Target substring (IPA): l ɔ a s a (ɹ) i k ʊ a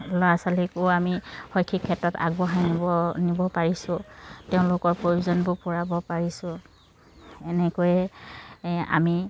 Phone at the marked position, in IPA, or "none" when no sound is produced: l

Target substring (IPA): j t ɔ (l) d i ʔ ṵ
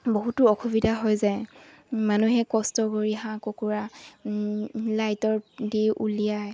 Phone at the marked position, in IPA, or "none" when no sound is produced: ɹ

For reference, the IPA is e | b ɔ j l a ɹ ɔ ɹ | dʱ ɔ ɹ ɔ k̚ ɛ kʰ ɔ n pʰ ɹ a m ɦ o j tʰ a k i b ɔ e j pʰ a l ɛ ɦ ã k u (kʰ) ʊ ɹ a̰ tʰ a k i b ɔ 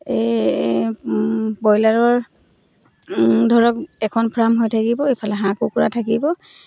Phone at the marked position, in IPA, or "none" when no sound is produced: k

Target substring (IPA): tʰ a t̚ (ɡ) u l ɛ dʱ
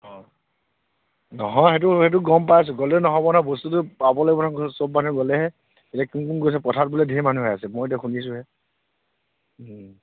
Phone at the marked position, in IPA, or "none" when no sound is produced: b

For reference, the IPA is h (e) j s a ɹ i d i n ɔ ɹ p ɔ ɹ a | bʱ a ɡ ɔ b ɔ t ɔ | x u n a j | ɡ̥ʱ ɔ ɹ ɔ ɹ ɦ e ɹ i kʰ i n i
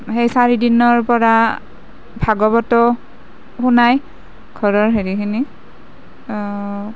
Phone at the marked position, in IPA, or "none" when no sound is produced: e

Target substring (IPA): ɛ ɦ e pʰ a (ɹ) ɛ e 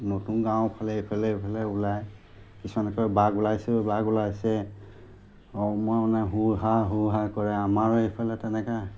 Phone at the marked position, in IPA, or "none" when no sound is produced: l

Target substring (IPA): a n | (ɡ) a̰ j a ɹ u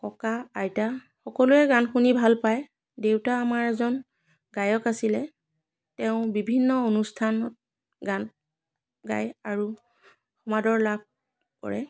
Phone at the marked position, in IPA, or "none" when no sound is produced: ɡ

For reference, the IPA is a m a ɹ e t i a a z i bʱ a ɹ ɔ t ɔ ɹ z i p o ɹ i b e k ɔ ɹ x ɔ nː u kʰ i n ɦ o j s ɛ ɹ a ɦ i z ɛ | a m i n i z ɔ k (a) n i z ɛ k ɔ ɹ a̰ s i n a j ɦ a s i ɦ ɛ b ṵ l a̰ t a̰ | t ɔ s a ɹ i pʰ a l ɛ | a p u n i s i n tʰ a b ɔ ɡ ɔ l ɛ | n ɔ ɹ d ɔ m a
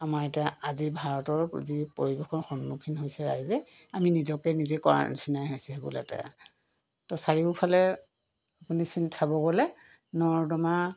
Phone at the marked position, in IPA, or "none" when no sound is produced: ɛ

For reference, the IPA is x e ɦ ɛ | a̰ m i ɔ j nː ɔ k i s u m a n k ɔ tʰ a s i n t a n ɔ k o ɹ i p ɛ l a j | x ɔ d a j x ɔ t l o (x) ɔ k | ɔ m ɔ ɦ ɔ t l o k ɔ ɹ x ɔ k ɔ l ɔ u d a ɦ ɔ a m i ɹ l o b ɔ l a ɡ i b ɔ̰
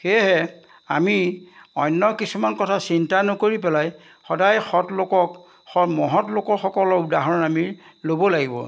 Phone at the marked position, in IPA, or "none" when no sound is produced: k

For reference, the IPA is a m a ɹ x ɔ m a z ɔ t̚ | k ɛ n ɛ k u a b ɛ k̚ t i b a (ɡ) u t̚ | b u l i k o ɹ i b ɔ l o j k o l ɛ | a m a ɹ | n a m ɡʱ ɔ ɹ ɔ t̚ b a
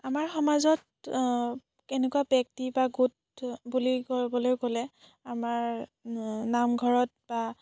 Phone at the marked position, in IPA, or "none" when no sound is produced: ɡ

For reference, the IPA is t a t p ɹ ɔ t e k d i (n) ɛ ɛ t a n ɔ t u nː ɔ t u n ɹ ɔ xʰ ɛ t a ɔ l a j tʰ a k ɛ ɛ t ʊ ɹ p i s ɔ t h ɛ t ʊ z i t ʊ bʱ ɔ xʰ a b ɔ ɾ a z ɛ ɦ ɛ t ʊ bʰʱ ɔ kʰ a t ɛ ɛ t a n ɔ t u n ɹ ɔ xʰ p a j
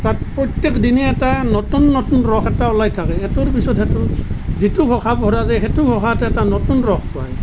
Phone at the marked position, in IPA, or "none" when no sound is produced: n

